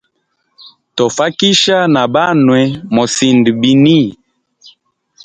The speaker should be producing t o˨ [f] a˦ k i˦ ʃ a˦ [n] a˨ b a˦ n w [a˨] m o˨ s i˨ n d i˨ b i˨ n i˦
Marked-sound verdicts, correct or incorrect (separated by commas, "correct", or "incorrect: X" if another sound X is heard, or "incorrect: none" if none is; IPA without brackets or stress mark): correct, correct, incorrect: ɛ˨